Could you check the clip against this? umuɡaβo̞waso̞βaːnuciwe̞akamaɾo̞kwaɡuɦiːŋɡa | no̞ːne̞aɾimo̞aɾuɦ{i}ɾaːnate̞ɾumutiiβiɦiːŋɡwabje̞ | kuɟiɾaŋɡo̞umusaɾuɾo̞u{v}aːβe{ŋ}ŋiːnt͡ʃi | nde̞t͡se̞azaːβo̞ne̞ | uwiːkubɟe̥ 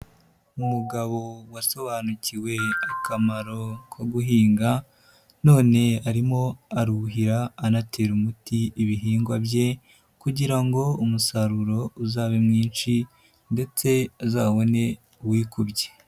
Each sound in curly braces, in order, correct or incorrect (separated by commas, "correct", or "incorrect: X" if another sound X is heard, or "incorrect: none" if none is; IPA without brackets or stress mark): correct, incorrect: z, incorrect: m